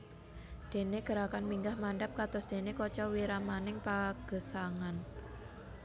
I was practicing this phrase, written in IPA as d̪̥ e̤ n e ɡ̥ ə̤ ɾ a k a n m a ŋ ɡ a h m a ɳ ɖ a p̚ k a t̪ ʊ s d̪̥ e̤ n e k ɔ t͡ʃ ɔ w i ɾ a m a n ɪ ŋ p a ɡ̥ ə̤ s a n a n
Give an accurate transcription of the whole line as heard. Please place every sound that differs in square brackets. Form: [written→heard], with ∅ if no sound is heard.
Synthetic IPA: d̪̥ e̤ n e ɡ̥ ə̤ ɾ a k a n m [a→i] ŋ ɡ a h m a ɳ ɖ a p̚ k a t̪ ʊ s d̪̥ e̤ n e k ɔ t͡ʃ ɔ w i ɾ a m a n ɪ ŋ p a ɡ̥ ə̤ s a [n→ŋ] a n

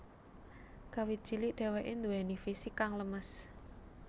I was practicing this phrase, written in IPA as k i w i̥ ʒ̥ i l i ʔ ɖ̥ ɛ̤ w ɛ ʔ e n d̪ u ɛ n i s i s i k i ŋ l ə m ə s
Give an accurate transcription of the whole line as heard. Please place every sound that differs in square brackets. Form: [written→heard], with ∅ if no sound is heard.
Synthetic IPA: k [i→a] w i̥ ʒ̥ i l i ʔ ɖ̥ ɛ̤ w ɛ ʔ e n d̪ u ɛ n i [s→f] i s i k [i→a] ŋ l ə m ə s

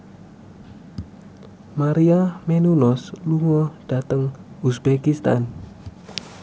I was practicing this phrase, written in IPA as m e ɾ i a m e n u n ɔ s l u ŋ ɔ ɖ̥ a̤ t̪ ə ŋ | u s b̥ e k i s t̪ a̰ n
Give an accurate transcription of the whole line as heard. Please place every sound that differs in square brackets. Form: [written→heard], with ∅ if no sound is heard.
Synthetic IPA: m [e→a] ɾ i a m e n u n ɔ s l u ŋ ɔ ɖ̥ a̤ t̪ ə ŋ | u s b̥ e k i s t̪ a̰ n

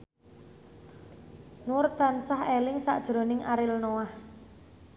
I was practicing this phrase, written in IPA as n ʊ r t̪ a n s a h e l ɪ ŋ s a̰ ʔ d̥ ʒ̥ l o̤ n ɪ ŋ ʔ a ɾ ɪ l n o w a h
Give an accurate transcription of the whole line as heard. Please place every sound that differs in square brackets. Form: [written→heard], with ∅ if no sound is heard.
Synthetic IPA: n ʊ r t̪ a n s a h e l ɪ ŋ s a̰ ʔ d̥ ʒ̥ [l→ɾ] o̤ n ɪ ŋ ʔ a ɾ ɪ l n o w a h

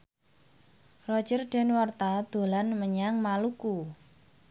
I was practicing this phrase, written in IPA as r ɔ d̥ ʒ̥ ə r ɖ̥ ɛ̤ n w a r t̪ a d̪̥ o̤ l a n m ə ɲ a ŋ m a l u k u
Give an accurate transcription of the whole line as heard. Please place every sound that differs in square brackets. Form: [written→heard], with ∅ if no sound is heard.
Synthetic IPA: r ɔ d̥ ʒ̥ ə r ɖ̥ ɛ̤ n w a r t̪ a d̪̥ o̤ l a n m ə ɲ a ŋ m a l u k u

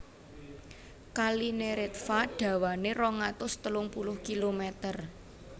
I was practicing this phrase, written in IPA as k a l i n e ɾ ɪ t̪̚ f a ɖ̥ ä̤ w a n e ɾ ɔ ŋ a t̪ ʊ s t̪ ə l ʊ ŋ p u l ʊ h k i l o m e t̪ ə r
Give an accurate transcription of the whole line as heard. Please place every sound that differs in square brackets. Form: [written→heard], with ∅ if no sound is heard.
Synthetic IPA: k a l i n e ɾ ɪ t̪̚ f a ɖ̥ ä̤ w a n e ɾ ɔ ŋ a t̪ ʊ s t̪ ə l ʊ ŋ p u l ʊ h k i l o m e t̪ ə r

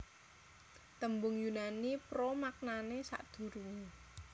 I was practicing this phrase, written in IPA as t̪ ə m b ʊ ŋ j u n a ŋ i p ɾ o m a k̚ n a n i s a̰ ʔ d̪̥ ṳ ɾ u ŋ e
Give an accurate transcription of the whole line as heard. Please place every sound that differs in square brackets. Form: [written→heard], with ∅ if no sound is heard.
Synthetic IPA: t̪ ə m b ʊ ŋ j u n a [ŋ→n] i p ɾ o m a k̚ n a n [i→e] s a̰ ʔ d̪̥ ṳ ɾ u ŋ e

